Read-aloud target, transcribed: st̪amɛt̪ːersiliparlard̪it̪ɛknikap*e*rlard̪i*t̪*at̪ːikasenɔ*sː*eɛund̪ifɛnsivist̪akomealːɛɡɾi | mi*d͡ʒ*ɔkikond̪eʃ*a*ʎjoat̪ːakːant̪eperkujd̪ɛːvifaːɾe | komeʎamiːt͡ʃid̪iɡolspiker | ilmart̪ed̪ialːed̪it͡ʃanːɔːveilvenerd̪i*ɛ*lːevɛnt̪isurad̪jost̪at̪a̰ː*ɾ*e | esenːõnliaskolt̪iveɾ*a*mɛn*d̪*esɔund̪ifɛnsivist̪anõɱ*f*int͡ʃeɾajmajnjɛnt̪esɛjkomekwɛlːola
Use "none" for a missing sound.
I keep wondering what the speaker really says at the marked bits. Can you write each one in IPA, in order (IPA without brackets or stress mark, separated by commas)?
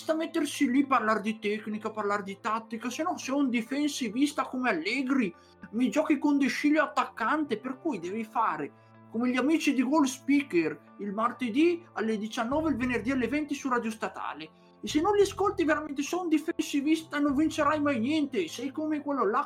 a, t̪, s, d͡ʒ, i, a, l, a, t̪, v